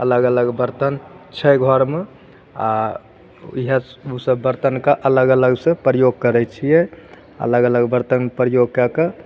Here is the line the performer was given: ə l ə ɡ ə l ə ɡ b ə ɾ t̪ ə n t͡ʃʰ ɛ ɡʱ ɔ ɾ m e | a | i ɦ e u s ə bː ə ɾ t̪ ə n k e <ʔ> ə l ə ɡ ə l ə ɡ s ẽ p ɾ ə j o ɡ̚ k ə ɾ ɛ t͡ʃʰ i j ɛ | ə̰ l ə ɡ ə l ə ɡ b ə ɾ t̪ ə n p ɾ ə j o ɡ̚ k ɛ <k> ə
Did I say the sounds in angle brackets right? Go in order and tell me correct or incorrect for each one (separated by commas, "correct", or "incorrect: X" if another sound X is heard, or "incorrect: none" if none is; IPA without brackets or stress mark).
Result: correct, correct